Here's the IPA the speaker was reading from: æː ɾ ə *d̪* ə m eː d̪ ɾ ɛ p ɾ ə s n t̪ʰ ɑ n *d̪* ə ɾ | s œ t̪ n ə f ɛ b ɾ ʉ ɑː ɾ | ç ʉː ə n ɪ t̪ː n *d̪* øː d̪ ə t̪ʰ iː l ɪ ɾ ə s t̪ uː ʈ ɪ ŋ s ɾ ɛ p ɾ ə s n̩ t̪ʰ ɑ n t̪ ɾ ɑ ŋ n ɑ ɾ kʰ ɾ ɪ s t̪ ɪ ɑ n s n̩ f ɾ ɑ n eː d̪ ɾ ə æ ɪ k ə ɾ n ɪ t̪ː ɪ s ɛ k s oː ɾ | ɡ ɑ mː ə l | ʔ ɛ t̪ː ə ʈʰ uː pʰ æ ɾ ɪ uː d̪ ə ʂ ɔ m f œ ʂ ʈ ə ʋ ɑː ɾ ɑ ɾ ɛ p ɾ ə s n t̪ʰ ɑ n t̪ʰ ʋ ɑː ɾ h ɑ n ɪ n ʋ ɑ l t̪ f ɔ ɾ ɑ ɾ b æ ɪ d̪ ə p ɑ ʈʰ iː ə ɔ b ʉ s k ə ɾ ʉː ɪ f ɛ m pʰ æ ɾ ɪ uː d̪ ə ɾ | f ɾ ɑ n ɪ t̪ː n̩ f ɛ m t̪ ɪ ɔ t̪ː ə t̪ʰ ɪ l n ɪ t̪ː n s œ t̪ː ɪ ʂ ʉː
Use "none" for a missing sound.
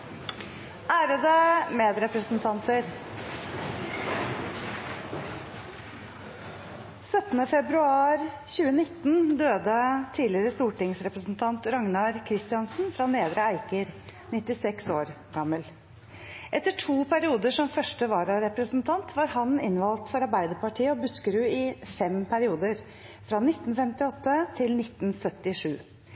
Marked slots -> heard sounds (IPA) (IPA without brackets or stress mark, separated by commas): d̪, t̪, d̪